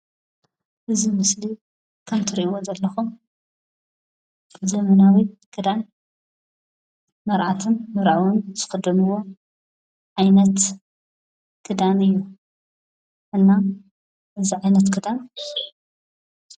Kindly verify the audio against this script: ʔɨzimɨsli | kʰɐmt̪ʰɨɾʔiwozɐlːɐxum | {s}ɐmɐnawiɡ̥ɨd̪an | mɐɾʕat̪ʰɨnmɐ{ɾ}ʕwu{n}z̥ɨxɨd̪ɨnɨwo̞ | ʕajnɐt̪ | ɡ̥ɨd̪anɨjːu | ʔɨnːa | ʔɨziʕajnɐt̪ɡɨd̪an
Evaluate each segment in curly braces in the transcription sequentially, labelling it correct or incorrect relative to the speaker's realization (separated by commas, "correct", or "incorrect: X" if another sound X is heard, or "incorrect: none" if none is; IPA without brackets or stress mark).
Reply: incorrect: z, correct, correct